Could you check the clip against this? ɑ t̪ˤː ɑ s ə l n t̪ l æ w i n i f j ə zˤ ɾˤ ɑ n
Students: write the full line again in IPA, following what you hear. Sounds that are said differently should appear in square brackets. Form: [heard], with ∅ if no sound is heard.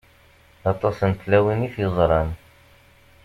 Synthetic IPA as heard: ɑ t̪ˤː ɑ s ə [∅] n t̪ l æ w i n i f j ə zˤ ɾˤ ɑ n